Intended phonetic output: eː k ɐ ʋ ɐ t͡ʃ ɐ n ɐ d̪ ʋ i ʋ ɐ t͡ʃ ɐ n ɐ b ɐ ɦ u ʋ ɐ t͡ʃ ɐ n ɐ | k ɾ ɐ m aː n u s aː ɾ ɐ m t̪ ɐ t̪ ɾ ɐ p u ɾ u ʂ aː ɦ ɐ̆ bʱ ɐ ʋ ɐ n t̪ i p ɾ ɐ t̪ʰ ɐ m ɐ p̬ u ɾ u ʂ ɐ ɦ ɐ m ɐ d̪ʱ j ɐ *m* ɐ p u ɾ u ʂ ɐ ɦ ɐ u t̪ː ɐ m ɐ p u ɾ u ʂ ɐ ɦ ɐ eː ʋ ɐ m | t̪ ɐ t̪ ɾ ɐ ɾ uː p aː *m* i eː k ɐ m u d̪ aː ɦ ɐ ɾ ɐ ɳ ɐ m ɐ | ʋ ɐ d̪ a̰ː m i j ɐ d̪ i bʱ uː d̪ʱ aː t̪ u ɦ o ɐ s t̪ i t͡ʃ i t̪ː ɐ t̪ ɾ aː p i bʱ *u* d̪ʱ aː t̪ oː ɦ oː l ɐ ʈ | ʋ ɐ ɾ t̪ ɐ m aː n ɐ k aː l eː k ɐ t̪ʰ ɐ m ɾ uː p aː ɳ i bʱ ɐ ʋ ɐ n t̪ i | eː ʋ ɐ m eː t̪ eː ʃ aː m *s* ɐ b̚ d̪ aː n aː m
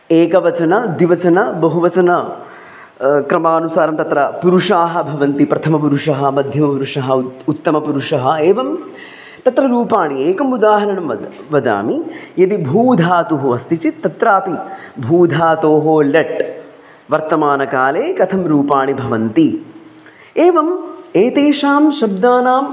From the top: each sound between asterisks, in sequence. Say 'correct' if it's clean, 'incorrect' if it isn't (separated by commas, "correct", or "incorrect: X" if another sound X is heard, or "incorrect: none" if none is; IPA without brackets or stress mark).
correct, incorrect: ɳ, incorrect: uː, incorrect: ʃ